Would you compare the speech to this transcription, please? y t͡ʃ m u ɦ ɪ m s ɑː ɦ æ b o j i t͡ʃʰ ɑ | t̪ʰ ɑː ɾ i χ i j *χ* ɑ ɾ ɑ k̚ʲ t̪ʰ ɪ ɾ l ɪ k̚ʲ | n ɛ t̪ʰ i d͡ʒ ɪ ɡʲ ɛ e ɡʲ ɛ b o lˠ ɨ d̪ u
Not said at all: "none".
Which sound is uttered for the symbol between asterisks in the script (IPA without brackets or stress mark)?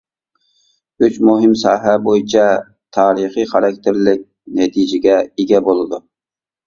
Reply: χ